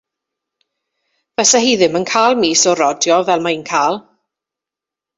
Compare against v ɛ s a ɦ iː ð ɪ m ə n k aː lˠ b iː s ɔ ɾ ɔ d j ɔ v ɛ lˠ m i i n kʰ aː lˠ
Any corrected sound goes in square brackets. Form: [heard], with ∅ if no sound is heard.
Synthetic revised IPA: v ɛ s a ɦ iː ð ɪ m ə n [kʰ] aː lˠ [m] iː s ɔ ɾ ɔ d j ɔ v ɛ lˠ m [a] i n kʰ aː lˠ